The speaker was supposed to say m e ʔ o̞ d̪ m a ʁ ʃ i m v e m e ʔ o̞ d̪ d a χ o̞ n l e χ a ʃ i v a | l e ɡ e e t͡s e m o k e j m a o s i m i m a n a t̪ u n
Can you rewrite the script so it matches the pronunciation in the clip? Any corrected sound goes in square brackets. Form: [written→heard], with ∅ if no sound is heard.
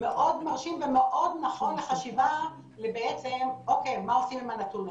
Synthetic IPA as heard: m e ʔ o̞ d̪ m a ʁ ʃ i m v e m e ʔ o̞ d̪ [d→n] a χ o̞ n l e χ a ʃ i v a | l e [ɡ→b] e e t͡s e m o k e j m a o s i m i m a n a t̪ u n

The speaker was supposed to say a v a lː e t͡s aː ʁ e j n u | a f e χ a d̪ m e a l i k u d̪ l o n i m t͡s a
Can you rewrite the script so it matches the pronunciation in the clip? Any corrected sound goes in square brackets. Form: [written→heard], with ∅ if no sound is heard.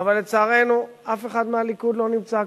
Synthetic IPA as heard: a v a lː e t͡s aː ʁ e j n u | a f e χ a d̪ m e a l i k u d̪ l o n i m t͡s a

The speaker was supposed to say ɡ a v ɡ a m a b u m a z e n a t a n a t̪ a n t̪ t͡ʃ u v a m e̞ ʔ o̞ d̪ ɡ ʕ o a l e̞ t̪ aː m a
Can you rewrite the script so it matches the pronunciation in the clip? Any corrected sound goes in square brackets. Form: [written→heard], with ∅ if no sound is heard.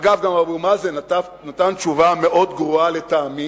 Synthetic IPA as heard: ɡ a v ɡ a m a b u m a z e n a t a n a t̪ a n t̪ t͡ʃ u v a m e̞ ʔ o̞ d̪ ɡ [ʕ→ʁ] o a l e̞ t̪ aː m [a→i]

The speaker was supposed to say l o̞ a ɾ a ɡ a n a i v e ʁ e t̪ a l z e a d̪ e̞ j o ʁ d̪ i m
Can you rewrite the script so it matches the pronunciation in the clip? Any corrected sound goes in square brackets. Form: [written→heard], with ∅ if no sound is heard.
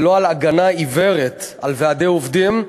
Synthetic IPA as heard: l o̞ a [ɾ→l] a ɡ a n a i v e ʁ e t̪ a l [z→v] e a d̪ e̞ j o [ʁ→v] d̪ i m

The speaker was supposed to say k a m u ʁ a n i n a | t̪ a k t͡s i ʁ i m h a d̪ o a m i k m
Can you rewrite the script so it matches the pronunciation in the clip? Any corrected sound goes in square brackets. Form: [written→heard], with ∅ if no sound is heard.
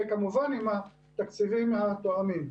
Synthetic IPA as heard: k a m u [ʁ→v] a n i [n→m] a | t̪ a k t͡s i [ʁ→v] i m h a [d̪→t̪] o a m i [k→∅] m

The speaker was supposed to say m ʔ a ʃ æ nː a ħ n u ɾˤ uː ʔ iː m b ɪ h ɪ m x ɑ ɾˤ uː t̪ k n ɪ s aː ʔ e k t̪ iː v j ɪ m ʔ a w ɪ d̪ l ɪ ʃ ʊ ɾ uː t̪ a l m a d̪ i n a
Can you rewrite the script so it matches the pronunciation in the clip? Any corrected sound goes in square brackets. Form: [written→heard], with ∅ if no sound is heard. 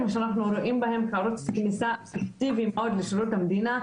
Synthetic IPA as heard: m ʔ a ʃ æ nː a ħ n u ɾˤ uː ʔ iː m b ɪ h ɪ m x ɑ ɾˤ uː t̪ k n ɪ s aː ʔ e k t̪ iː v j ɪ m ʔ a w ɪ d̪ l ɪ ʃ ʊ ɾ uː t̪ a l m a d̪ [i→iː] n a

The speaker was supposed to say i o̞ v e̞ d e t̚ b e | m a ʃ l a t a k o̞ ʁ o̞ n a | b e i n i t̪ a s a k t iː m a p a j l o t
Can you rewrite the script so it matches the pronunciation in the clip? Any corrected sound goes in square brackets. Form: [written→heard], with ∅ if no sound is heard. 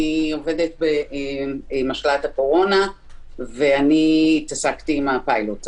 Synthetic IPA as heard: i o̞ v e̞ d e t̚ b e | m a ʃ l a t a k o̞ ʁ o̞ n a | [b→v] e [i→a] n i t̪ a s a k t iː m a p a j l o t

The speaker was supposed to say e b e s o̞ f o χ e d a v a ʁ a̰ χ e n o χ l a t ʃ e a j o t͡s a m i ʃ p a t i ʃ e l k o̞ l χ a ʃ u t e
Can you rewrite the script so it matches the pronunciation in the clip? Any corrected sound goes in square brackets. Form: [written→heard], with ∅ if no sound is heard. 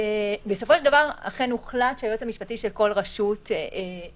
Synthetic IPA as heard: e b e s o̞ f o [χ→ʃ] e d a v a ʁ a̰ χ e n [o→u] χ l a t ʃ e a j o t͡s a m i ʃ p a t i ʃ e l k o̞ l [χ→ʁ] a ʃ u t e

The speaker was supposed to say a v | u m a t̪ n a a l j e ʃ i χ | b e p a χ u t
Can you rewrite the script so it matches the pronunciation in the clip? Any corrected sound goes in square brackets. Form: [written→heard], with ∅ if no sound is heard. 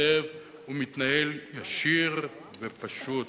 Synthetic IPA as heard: [a→e] v | u m [a→i] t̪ n a [a→e] l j [e→a] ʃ i [χ→ʁ] | [b→v] e p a [χ→ʃ] u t

